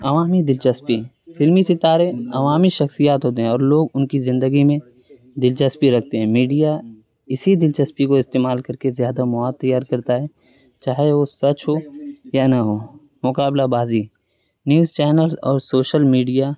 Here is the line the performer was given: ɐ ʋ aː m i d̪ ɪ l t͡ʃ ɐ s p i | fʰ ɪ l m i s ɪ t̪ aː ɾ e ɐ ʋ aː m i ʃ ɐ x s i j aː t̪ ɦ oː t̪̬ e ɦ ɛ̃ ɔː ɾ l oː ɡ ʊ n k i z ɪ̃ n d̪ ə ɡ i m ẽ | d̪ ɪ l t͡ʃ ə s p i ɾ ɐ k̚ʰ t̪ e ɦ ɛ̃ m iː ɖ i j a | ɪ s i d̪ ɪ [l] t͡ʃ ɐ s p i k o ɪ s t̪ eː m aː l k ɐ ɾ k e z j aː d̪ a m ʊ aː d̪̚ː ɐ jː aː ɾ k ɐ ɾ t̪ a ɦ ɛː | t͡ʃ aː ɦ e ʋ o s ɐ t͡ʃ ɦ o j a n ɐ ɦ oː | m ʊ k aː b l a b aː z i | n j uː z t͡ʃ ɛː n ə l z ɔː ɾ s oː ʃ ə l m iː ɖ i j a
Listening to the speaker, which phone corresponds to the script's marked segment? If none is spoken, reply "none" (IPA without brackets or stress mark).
l